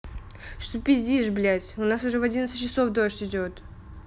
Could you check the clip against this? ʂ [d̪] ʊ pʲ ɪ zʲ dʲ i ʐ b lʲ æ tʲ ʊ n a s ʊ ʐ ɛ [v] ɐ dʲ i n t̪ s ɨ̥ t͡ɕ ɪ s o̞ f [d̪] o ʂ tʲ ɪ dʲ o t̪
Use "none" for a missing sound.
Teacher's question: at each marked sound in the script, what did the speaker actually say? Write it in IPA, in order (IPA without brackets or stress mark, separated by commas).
t̪, v, d̪